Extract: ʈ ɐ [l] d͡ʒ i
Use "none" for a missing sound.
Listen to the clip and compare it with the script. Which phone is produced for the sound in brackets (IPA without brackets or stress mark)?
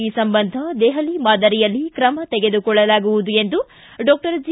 ɾ